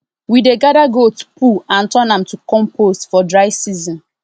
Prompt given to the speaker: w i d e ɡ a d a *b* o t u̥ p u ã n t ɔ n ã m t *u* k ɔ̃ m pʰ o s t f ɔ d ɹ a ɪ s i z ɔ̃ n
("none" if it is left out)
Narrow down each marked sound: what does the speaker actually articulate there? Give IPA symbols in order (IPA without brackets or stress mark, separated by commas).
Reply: ɡ, u